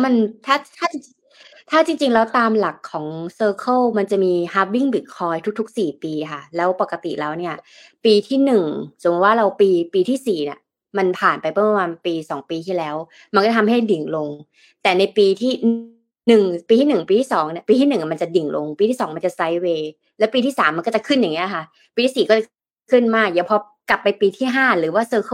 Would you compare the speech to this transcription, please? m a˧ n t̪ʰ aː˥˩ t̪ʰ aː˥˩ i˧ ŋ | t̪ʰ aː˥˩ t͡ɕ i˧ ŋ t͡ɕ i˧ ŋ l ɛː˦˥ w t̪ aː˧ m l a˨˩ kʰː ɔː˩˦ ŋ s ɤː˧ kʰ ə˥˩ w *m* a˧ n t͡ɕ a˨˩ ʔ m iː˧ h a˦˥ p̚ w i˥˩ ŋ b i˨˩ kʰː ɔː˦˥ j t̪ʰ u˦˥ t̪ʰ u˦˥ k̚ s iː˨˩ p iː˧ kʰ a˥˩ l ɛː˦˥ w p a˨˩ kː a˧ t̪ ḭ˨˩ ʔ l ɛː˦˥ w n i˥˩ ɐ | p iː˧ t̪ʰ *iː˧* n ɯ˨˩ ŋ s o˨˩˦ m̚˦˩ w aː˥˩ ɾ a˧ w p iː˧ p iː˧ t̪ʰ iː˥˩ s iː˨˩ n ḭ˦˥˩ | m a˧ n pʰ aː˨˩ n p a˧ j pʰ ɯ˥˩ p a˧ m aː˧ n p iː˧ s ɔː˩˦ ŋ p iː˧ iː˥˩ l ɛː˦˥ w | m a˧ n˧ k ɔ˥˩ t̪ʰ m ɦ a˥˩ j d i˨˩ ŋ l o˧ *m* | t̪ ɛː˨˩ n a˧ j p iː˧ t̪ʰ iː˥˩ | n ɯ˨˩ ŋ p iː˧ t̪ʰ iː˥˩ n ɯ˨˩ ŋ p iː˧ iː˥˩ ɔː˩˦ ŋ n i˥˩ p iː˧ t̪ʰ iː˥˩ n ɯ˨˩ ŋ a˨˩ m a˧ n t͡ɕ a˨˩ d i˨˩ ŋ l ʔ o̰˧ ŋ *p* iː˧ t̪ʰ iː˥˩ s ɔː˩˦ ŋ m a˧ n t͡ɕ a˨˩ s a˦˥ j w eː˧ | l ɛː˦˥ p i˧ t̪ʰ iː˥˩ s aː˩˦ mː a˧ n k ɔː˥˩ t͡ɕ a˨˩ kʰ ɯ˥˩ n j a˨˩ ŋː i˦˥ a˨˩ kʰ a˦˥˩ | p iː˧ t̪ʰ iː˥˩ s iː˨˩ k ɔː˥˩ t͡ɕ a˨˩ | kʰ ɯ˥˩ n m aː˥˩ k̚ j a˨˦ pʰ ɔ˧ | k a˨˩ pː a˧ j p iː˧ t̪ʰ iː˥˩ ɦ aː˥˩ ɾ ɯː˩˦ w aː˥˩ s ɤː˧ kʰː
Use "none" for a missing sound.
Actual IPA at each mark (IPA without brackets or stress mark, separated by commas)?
m, iː˥˩, ŋ, p